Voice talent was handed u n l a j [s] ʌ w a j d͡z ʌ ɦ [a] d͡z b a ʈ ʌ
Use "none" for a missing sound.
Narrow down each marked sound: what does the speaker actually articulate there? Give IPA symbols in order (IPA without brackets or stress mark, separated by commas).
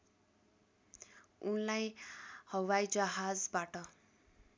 h, a